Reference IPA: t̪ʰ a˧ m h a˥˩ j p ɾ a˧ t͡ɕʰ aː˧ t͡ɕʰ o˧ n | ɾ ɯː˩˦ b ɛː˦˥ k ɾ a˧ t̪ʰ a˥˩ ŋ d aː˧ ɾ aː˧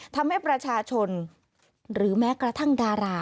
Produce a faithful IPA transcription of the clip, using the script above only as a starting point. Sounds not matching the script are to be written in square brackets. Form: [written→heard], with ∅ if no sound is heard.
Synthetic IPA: t̪ʰ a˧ m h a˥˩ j p ɾ a˧ t͡ɕʰ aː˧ t͡ɕʰ o˧ n | ɾ ɯː˩˦ [b→m] ɛː˦˥ k ɾ a˧ t̪ʰ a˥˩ ŋ d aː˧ ɾ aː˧